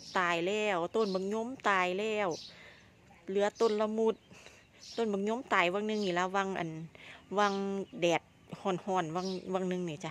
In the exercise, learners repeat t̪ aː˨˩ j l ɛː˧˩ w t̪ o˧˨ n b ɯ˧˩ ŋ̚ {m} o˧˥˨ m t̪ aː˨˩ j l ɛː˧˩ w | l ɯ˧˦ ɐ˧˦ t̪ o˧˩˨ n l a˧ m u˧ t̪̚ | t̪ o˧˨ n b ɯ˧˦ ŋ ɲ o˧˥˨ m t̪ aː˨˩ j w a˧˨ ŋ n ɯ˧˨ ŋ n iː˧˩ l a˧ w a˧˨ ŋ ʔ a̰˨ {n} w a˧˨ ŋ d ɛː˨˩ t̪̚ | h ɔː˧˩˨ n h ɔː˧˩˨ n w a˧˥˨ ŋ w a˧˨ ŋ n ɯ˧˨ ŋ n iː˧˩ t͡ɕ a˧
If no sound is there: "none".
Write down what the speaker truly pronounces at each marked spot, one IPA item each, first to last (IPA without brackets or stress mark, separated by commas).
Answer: ɲ, n